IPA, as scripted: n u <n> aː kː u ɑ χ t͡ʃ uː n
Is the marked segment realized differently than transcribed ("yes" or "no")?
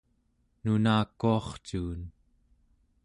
no